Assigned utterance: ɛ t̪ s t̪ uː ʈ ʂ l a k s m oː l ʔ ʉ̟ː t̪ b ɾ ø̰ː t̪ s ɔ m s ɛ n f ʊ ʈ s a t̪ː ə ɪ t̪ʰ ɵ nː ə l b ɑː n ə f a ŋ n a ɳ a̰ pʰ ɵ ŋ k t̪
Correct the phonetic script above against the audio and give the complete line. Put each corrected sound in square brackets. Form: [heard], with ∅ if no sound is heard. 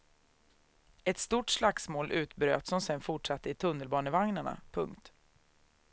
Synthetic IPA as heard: ɛ t̪ s t̪ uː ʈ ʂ l a k s m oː l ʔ ʉ̟ː t̪ b ɾ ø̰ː t̪ s ɔ m s ɛ n f ʊ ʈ [ʂ] a t̪ː ə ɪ t̪ʰ ɵ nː ə l b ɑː n ə [v] a ŋ n a ɳ a̰ pʰ ɵ ŋ k t̪